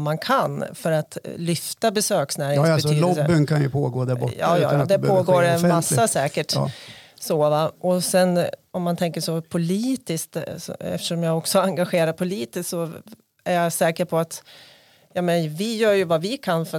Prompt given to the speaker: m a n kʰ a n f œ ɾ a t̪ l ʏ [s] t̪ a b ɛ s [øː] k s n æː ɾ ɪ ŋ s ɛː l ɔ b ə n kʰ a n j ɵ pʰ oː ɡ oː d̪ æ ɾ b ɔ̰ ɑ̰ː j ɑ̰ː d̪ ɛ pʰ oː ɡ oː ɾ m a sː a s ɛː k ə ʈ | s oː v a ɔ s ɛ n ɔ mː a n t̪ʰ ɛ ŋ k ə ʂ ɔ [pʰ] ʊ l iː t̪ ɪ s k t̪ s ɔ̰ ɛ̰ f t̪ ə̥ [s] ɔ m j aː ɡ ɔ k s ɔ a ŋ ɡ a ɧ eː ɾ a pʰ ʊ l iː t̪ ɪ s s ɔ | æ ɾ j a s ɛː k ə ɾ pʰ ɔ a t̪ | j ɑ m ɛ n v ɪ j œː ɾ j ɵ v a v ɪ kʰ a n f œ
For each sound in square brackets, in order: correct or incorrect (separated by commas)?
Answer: incorrect, correct, correct, incorrect